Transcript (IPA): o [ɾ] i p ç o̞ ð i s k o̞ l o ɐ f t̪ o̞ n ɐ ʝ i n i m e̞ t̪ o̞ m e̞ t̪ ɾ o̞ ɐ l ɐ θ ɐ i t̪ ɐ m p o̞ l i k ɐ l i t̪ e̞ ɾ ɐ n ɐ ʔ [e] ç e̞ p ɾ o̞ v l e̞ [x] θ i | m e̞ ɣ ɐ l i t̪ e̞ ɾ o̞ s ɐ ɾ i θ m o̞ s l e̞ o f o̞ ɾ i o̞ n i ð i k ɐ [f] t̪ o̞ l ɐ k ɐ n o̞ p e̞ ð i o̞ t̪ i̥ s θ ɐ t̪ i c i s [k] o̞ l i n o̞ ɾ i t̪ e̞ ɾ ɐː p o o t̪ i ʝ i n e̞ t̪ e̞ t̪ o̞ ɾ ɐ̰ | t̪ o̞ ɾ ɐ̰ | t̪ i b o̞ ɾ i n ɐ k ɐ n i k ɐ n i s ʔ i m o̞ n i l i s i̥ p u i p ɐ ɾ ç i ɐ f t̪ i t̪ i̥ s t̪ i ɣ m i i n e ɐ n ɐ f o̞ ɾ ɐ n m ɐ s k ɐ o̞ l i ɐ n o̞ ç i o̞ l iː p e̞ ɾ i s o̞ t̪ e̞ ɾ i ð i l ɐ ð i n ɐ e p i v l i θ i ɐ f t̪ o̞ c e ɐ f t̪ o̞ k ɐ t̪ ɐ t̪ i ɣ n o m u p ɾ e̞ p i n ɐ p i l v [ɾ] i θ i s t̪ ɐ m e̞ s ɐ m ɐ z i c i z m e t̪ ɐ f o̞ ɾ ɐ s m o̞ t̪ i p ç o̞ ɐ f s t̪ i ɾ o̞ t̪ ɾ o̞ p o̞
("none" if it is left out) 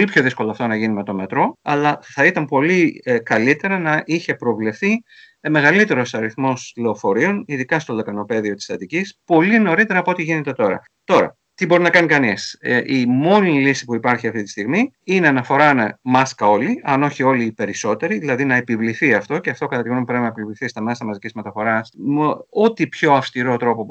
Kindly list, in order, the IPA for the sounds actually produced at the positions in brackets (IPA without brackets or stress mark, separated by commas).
l, i, f, s, p, l